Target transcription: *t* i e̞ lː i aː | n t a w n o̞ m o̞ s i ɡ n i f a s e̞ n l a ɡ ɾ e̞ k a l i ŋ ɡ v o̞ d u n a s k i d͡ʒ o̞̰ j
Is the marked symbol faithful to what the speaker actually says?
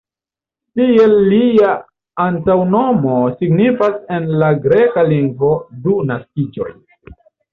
yes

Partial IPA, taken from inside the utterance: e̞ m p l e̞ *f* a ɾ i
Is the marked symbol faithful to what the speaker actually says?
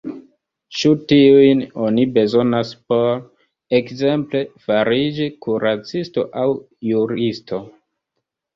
yes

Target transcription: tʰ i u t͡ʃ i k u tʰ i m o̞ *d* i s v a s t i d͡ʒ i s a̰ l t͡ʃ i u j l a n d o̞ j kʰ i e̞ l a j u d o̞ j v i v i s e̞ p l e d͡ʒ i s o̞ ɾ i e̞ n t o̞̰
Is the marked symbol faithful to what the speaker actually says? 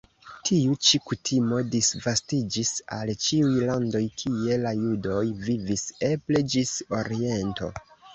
yes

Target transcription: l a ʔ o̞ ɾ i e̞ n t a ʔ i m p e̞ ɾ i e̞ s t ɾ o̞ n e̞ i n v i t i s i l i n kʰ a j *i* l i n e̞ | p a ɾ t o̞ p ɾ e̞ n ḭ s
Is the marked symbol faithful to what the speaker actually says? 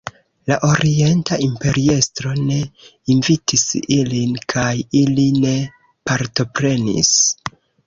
yes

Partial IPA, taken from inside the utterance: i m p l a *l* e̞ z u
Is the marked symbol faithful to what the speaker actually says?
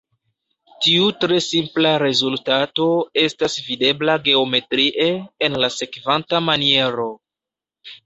no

